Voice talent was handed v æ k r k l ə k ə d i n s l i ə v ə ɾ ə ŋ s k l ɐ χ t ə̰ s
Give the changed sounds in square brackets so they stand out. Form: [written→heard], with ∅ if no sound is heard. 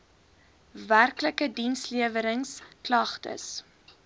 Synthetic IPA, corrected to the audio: v æ [k→∅] r k l ə k ə d i n s l i ə v ə ɾ ə ŋ s k l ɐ χ t ə̰ s